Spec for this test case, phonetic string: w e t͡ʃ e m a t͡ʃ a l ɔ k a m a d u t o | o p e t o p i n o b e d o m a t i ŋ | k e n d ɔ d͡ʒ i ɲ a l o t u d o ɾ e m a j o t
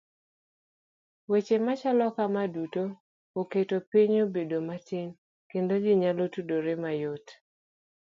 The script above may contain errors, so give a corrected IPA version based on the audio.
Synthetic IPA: w e t͡ʃ e m a t͡ʃ a l ɔ k a m a d u t o | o k e t o p i ɲ o b e d o m a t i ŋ | k e n d o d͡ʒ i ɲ a l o t u d o ɾ e m a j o t

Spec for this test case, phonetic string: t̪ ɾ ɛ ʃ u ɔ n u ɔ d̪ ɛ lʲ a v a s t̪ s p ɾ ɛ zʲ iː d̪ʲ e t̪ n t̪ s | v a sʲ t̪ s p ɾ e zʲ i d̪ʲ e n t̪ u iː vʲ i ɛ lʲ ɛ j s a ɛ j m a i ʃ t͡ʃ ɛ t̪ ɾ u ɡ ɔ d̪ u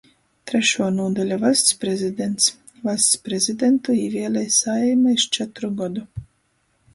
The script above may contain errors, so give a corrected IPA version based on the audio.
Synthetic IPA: t̪ ɾ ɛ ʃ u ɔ n u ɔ d̪ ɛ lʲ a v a s t̪ s p ɾ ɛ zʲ i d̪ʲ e n t̪ s | v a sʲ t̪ s p ɾ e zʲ i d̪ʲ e n t̪ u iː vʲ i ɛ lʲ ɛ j s a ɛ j m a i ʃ t͡ʃ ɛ t̪ ɾ u ɡ ɔ d̪ u

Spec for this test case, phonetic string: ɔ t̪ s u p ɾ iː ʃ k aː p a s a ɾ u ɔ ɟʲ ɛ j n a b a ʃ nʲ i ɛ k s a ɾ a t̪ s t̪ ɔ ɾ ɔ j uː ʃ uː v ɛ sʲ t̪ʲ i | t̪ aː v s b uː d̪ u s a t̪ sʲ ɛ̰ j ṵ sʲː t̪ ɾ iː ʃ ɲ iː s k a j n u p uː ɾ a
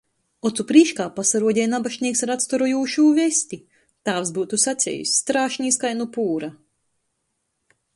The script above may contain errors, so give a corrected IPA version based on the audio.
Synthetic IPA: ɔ t̪ s u p ɾ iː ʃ k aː p a s a ɾ u ɔ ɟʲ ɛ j n a b a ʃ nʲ i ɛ k s a ɾ a t̪ s t̪ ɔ ɾ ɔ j uː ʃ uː v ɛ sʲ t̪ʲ i | t̪ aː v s b uː t̪ u s a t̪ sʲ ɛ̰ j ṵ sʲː t̪ ɾ aː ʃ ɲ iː s k a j n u p uː ɾ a

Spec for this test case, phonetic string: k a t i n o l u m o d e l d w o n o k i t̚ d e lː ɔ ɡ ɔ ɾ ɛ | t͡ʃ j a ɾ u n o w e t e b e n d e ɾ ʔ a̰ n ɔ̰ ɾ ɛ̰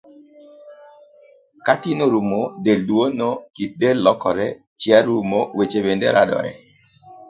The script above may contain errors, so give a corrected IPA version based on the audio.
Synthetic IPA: k a t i n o ɾ u m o d e l d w o n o k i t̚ d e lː ɔ k ɔ ɾ ɛ | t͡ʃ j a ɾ u m o w e t͡ʃ e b e n d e ɾ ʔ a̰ d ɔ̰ ɾ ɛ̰

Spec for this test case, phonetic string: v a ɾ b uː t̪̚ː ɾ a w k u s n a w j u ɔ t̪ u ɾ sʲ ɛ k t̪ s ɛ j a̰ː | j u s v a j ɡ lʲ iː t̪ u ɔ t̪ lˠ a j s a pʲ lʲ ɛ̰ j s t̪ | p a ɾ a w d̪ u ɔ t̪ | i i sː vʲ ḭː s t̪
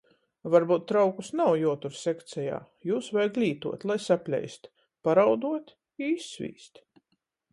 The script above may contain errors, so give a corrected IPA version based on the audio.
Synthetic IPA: v a ɾ b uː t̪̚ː ɾ a w k u s n a w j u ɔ t̪ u ɾ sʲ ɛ k t̪ s ɛ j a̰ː | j uː s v a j ɡ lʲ iː t̪ u ɔ t̪ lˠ a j s a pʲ lʲ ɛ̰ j s t̪ | p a ɾ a w d̪ u ɔ t̪ | i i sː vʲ ḭː s t̪

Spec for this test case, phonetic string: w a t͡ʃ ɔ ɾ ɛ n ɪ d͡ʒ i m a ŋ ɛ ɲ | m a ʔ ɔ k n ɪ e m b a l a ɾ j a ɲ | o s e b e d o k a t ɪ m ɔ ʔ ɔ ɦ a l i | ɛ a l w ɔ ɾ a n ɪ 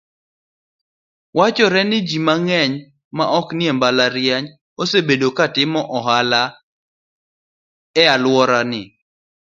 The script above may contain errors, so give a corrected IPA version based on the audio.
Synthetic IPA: w a t͡ʃ ɔ ɾ ɛ n ɪ d͡ʒ i m a ŋ ɛ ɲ | m a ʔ ɔ k n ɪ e m b a l a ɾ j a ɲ | o s e b e d o k a t ɪ m ɔ ʔ ɔ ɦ a l a | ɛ a l w ɔ ɾ a n ɪ

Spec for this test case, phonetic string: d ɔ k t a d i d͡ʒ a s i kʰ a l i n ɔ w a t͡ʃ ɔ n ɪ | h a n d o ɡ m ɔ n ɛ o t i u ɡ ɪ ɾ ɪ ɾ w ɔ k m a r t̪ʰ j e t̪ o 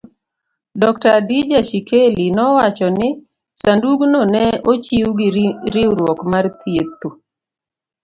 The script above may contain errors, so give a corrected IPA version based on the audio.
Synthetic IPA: d ɔ k t a d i d͡ʒ a ʃ i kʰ e l i n ɔ w a t͡ʃ ɔ n ɪ | s a n d u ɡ n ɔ n ɛ o t͡ʃ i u ɡ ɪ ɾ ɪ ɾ w ɔ k m a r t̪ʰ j e t̪ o

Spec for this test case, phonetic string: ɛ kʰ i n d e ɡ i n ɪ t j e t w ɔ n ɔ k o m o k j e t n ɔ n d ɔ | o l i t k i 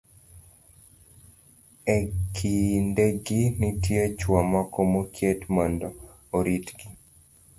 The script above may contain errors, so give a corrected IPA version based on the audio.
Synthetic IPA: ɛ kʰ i n d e ɡ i n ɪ t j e t͡ʃ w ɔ m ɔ k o m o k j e t m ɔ n d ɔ | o ɾ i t ɡ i

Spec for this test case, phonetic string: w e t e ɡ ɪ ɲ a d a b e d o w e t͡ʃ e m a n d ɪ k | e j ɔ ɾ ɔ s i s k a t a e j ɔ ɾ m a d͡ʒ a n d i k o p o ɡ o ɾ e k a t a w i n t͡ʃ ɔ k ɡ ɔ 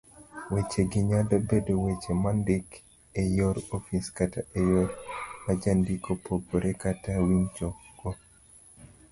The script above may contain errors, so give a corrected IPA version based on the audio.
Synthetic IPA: w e t͡ʃ e ɡ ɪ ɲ a d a b e d o w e t͡ʃ e m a n d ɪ k | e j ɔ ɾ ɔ f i s k a t a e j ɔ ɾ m a d͡ʒ a n d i k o p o ɡ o ɾ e k a t a w i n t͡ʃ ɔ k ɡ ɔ

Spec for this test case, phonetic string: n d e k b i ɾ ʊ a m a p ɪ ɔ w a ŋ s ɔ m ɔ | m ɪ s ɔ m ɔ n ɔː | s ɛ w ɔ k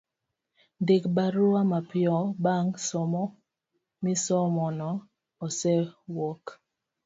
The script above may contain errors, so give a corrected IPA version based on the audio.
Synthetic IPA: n d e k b a ɾ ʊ a m a p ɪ ɔ b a ŋ s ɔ m ɔ | m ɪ s ɔ m ɔ n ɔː | s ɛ w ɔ k

